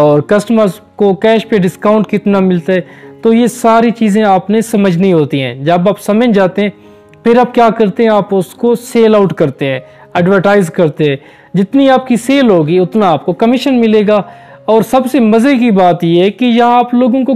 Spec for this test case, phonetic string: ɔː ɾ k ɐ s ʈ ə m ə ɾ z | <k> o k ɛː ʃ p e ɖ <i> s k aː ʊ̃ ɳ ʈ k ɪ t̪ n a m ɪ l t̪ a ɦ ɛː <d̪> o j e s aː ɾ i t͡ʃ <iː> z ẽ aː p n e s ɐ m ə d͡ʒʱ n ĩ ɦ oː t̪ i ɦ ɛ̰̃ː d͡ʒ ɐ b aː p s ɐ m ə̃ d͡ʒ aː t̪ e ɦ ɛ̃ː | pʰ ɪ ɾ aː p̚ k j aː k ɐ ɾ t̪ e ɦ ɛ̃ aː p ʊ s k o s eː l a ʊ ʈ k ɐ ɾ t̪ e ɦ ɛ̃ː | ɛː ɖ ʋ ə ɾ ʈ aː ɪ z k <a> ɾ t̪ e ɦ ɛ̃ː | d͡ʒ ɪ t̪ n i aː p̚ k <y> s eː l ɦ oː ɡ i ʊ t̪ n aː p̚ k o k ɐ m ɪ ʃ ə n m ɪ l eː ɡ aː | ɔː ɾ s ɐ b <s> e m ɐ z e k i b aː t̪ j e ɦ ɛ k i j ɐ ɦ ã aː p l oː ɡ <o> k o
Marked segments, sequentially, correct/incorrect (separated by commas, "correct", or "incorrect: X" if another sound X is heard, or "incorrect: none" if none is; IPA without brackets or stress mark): correct, incorrect: ɪ, incorrect: t̪, correct, incorrect: ɐ, incorrect: i, correct, incorrect: õ